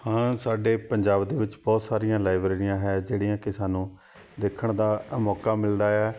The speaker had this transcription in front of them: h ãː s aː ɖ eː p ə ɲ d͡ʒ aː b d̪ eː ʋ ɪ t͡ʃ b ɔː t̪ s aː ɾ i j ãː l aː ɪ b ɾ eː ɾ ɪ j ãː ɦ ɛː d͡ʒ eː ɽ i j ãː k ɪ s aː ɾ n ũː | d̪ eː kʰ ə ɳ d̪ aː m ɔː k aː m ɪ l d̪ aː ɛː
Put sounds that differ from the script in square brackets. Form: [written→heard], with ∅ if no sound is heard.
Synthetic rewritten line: h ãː s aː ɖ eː p ə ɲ d͡ʒ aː b d̪ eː ʋ ɪ t͡ʃ b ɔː t̪ s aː ɾ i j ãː l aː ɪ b ɾ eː ɾ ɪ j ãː ɦ ɛː d͡ʒ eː ɽ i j ãː k ɪ s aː [ɾ→∅] n ũː | d̪ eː kʰ ə ɳ d̪ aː m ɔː k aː m ɪ l d̪ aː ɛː